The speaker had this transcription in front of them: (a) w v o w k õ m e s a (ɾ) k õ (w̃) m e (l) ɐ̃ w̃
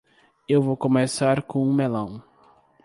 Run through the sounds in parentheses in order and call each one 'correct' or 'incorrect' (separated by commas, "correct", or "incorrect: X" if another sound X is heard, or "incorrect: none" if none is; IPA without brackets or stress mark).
incorrect: e, correct, incorrect: ũ, correct